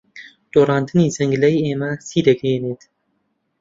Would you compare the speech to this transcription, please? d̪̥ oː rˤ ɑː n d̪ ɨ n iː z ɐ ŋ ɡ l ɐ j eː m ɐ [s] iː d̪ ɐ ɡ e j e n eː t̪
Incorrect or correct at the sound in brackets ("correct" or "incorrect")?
correct